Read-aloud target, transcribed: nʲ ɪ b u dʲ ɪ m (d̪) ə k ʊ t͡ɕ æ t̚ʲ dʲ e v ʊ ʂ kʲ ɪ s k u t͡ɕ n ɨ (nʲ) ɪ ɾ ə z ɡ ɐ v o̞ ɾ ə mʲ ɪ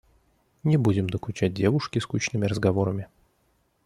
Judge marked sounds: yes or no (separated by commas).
yes, no